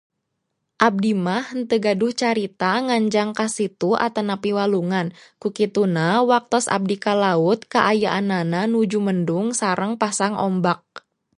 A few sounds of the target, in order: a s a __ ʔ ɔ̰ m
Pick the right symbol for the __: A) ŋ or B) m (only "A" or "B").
A